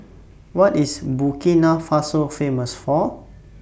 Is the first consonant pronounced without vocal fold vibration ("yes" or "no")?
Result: no